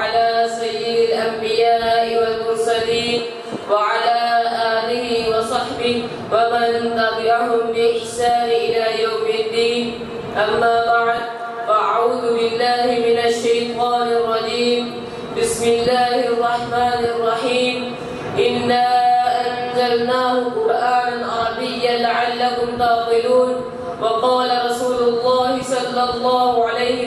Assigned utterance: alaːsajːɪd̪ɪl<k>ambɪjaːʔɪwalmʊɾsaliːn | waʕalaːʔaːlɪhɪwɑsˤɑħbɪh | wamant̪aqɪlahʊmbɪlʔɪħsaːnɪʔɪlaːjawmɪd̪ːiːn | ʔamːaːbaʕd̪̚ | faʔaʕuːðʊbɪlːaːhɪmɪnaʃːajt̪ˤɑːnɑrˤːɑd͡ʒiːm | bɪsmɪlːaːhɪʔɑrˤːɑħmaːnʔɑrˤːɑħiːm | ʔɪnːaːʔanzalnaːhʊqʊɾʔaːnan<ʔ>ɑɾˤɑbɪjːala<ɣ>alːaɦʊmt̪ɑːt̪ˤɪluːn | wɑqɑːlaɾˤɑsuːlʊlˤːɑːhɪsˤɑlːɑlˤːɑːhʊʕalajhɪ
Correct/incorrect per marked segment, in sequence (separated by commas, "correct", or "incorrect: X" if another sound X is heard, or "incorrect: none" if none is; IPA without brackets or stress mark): incorrect: ʔ, correct, incorrect: ʕ